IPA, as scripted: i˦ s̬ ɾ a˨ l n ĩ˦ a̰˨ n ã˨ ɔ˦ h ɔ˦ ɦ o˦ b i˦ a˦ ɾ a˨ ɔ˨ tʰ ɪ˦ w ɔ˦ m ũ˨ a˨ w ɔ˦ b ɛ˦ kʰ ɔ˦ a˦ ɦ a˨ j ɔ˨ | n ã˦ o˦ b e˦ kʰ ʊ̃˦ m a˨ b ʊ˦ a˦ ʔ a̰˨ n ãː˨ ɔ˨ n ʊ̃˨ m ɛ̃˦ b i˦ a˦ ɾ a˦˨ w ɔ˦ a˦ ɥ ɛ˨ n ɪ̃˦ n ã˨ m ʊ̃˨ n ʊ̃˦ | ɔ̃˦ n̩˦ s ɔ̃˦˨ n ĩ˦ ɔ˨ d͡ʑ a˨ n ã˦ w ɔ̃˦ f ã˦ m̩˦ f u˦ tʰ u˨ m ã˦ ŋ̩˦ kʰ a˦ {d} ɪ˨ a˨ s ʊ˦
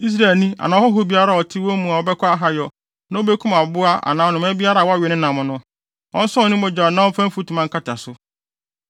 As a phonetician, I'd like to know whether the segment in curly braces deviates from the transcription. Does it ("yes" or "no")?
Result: yes